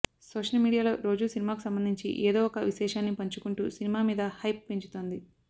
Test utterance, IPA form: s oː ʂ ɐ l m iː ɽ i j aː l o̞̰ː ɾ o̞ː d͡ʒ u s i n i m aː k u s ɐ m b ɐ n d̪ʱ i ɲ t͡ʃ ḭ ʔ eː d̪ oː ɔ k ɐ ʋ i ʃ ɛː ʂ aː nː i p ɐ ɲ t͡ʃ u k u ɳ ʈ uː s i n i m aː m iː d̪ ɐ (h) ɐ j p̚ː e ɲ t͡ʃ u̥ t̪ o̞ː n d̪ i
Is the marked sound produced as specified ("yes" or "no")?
yes